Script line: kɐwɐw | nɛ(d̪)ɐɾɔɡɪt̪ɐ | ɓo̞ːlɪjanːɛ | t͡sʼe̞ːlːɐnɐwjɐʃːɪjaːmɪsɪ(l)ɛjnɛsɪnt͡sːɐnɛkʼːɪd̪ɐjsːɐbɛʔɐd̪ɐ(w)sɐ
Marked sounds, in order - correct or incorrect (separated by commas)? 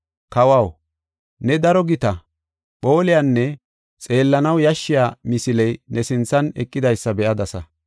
correct, correct, incorrect